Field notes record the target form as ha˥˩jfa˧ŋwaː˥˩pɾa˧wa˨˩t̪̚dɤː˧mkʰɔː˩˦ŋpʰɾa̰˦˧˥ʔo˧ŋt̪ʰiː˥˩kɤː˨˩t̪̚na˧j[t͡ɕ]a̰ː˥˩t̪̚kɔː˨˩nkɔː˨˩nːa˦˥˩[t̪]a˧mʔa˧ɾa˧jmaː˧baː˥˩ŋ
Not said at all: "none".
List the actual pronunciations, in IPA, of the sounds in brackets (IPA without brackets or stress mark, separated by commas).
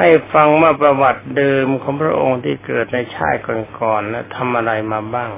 t͡ɕʰ, t̪ʰ